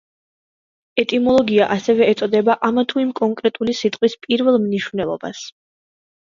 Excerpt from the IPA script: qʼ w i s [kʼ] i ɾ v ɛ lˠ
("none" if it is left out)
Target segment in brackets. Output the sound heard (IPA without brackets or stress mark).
pʼ